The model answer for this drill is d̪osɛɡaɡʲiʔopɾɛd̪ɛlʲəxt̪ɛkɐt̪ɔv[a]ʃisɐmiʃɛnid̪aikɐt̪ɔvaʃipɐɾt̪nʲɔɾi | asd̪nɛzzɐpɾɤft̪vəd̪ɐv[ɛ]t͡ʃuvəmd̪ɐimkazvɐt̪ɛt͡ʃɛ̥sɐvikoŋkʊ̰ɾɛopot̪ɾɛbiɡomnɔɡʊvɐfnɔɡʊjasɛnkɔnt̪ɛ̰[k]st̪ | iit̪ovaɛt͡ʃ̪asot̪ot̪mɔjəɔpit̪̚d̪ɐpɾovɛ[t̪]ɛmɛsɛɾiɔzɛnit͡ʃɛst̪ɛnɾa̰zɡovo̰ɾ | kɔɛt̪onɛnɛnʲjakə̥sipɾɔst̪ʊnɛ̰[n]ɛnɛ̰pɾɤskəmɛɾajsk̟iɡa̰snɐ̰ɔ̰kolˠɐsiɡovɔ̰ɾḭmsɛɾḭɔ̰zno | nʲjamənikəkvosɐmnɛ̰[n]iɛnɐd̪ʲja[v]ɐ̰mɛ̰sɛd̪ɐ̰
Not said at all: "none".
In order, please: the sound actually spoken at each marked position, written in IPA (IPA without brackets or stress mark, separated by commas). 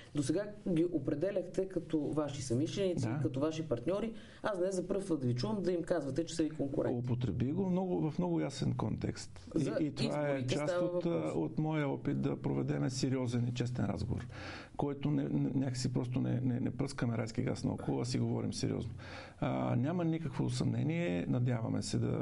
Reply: a, i, k, d̪, n, n, v